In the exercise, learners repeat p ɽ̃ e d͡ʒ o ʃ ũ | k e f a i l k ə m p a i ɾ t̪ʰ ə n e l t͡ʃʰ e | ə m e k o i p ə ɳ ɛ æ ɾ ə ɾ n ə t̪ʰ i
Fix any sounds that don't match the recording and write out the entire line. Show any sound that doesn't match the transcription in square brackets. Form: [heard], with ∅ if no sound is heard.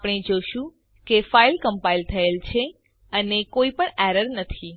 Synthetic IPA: p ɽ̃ e d͡ʒ o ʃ ũ | k e f a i l k ə m p a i [l] t̪ʰ ə [∅] e l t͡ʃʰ e | ə [n] e k o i p ə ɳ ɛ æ ɾ ə ɾ n ə t̪ʰ i

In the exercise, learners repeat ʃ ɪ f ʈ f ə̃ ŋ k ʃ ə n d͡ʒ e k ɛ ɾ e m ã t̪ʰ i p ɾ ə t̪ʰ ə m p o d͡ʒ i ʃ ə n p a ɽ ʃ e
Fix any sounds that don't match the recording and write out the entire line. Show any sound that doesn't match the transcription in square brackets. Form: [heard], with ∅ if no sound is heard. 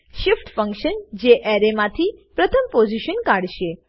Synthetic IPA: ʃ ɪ f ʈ f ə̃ ŋ k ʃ ə n d͡ʒ e [ʔ] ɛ ɾ e m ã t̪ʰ i p ɾ ə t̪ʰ ə m p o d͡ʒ i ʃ ə n [k] a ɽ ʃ e

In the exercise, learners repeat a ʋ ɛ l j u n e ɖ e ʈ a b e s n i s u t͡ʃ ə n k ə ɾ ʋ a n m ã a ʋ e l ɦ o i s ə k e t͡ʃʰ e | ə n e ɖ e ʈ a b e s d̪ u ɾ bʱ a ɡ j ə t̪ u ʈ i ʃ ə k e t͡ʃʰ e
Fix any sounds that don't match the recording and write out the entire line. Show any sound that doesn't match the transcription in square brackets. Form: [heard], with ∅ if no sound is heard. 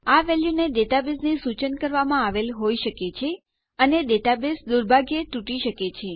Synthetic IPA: a ʋ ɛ l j u n e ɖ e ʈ a b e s n i s u t͡ʃ ə n k ə ɾ ʋ a [∅] m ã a ʋ e l ɦ o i [ʃ] ə k e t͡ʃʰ e | ə n e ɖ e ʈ a b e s d̪ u ɾ bʱ a ɡ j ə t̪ u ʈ i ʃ ə k e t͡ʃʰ e

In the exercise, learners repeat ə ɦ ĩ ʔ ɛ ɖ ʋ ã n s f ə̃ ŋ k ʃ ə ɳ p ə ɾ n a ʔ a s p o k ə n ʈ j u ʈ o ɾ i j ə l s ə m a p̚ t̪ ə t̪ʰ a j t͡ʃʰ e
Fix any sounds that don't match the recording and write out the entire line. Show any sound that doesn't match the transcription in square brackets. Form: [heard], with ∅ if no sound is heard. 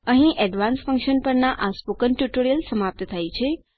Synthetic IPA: ə ɦ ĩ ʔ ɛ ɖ ʋ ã n s f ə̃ ŋ k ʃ ə [n] p ə ɾ n a ʔ a s p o k ə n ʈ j u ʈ o ɾ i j ə l s ə m a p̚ t̪ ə t̪ʰ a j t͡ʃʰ e

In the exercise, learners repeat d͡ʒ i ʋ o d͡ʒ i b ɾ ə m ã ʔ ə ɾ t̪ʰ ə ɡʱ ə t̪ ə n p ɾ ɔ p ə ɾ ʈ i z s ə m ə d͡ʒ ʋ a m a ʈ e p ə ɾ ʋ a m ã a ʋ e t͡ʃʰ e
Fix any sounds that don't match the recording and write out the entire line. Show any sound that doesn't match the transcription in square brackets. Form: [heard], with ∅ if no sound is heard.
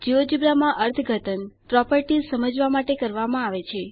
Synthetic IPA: d͡ʒ i ʋ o d͡ʒ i b ɾ [a] m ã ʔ ə ɾ t̪ʰ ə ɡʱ ə t̪ ə n p ɾ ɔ p ə ɾ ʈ i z s ə m ə d͡ʒ ʋ a m a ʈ e [k] ə ɾ ʋ a m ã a ʋ e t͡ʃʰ e

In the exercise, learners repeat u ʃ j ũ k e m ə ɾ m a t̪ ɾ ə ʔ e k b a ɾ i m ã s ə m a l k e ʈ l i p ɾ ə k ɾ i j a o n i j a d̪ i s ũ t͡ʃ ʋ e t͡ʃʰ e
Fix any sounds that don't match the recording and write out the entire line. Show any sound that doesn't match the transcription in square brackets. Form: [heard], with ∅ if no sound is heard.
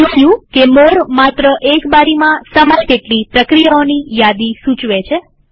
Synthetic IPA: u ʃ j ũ k e m ə ɾ m a t̪ ɾ ə ʔ e k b a ɾ i m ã s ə m a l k e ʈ l i p ɾ ə k ɾ i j a o n i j a d̪ i s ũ t͡ʃ ʋ e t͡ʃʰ e

